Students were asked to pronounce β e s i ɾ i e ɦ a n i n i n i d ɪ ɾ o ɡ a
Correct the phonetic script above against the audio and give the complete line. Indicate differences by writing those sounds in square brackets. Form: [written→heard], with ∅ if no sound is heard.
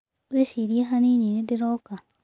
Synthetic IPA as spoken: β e s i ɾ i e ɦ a n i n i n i d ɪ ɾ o [ɡ→k] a